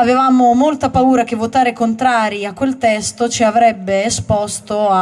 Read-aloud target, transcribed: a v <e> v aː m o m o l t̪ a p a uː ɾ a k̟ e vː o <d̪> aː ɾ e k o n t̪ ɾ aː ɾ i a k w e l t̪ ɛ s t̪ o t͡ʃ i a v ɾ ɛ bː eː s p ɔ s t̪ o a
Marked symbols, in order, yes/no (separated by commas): yes, no